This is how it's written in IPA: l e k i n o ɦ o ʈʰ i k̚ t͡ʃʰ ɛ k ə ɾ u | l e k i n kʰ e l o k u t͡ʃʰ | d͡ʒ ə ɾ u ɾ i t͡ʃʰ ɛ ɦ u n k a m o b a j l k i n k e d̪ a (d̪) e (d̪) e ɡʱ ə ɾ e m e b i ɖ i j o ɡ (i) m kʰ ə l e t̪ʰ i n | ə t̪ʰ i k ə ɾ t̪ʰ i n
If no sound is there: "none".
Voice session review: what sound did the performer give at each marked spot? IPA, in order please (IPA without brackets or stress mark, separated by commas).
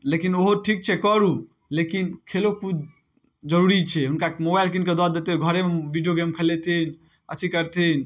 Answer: d̪, t̪, e